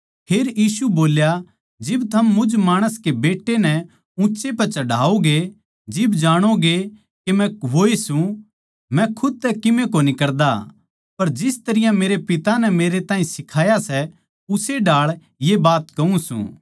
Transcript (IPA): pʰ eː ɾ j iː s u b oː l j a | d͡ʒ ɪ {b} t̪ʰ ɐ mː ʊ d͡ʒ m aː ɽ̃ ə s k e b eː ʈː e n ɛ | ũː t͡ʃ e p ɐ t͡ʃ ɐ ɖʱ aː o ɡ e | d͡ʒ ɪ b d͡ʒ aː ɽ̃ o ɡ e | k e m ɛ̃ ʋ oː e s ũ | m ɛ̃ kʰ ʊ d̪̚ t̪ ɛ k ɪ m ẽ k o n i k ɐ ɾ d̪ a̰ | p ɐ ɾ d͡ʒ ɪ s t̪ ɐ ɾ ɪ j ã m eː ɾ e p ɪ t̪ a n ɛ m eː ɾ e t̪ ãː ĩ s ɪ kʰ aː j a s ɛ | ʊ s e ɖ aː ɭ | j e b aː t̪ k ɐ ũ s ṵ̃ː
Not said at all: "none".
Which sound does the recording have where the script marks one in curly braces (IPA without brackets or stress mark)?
b